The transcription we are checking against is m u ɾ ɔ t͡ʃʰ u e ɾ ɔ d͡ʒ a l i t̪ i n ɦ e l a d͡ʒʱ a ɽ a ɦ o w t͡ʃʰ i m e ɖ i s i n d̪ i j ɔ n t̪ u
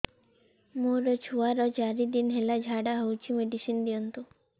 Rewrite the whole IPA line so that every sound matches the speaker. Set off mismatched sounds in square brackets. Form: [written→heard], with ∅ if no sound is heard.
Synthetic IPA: m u ɾ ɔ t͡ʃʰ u [e→a] ɾ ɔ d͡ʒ a [l→ɾ] i [t̪→d̪] i n ɦ e l a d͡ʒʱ a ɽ a ɦ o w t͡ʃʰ i m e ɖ i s i n d̪ i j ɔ n t̪ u